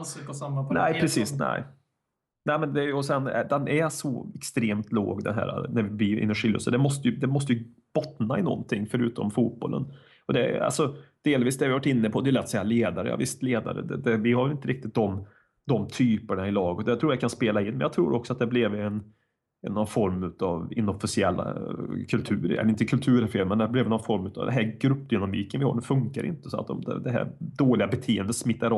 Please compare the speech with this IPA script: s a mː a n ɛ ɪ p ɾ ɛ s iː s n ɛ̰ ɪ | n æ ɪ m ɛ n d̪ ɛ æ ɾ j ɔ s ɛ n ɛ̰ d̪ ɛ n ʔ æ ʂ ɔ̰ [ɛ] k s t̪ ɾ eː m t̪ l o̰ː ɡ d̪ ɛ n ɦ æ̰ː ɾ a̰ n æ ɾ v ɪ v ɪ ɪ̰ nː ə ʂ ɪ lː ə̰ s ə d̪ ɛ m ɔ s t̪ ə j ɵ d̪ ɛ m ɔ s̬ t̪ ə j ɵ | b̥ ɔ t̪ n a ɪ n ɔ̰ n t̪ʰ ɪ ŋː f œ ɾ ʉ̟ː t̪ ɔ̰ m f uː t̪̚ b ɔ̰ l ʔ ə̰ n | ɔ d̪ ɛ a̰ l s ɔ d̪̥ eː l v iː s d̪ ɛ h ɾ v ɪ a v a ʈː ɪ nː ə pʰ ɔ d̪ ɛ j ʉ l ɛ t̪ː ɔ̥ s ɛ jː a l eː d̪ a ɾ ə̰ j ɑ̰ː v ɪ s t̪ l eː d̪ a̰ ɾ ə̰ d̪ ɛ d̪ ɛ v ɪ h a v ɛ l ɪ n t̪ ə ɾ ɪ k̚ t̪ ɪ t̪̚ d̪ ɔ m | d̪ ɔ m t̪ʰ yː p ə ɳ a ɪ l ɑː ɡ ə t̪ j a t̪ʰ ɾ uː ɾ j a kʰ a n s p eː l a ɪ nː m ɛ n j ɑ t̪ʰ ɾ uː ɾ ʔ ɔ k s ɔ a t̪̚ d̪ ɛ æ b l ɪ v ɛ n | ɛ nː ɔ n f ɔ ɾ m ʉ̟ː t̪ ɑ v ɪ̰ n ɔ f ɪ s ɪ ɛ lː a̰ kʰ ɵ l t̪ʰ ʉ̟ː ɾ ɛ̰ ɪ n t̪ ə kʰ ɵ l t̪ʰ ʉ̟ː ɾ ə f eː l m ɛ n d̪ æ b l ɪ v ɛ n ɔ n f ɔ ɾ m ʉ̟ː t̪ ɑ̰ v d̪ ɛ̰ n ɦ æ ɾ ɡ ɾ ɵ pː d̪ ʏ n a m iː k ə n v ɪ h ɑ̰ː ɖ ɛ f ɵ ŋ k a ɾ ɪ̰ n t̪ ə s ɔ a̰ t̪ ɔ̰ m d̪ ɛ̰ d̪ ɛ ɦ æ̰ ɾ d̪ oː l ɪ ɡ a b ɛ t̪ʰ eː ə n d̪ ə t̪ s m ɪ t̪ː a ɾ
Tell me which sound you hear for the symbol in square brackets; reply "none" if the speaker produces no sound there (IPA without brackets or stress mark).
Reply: ɛ